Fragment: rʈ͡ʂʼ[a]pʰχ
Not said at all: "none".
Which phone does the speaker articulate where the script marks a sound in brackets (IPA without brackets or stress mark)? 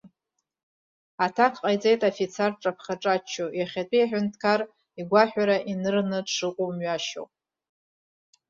a